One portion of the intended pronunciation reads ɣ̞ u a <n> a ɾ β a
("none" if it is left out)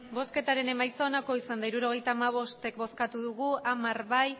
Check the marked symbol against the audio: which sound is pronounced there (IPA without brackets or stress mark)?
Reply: m